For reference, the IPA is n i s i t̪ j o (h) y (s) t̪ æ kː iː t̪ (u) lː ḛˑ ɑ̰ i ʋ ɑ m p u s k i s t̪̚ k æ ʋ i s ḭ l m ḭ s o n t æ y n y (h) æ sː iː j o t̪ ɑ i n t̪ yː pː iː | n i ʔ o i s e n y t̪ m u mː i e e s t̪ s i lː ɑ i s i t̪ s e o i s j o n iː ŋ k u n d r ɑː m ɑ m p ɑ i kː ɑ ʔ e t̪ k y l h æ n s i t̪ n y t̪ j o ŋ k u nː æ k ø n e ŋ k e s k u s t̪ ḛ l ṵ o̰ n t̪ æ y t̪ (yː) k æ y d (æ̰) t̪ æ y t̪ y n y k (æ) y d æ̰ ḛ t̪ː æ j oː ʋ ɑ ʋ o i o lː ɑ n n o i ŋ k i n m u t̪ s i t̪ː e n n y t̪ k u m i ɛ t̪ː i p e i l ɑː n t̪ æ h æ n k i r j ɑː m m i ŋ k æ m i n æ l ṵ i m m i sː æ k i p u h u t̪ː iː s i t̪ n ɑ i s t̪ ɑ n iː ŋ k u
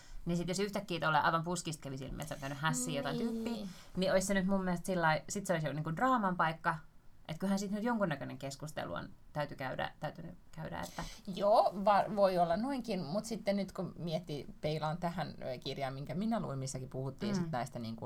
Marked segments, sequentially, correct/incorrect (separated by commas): incorrect, incorrect, incorrect, correct, incorrect, correct, correct